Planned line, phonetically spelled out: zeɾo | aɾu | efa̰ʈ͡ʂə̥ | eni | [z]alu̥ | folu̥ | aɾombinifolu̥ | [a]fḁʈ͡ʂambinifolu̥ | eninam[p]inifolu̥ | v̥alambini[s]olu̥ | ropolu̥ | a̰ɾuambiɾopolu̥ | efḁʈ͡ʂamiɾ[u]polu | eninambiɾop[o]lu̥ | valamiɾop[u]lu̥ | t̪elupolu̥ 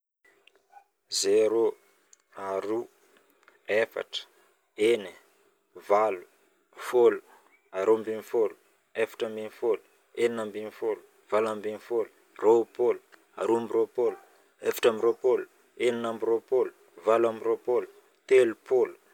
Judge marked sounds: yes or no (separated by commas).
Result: no, no, no, no, no, yes, no